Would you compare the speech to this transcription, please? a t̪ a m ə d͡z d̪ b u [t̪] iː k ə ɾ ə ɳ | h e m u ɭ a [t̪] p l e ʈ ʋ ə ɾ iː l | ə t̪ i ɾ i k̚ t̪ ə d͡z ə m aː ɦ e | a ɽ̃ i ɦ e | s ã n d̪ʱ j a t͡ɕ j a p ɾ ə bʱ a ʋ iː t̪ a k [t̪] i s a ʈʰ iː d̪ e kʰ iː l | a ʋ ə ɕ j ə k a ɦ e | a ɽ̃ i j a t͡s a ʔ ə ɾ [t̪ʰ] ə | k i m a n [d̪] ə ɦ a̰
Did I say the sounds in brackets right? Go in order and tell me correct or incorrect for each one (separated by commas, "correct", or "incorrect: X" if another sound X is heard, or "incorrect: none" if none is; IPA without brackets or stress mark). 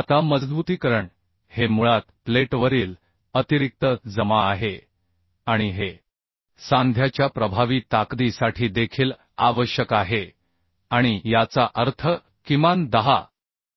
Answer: correct, correct, incorrect: d̪, correct, correct